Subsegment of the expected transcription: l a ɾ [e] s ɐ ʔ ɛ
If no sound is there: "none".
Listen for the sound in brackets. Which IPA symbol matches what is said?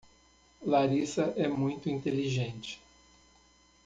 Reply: i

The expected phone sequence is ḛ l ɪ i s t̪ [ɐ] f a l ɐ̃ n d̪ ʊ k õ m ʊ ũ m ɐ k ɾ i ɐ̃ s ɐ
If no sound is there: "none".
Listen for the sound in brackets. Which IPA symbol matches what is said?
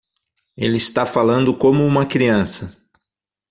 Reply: a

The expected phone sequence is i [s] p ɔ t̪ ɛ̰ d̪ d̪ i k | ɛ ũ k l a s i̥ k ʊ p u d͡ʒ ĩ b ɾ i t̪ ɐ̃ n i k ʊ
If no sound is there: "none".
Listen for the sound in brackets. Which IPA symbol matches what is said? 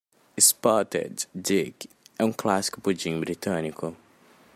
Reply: s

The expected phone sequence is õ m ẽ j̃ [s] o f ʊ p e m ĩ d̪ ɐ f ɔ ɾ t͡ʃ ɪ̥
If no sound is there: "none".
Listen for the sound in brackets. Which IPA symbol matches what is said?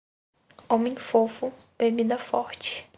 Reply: f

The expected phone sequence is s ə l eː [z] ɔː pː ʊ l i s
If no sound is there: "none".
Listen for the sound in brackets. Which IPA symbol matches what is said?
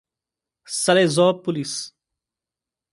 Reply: z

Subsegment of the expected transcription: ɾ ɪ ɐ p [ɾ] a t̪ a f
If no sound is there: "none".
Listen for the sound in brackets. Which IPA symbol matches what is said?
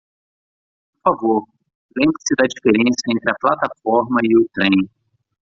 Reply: l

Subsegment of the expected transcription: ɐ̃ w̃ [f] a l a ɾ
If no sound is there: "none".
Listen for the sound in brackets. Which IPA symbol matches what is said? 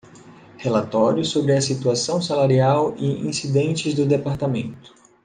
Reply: s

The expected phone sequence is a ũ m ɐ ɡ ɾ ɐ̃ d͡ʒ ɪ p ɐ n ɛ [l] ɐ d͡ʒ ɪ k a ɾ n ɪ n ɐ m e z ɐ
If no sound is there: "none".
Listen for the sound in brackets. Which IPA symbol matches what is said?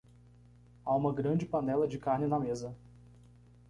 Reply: l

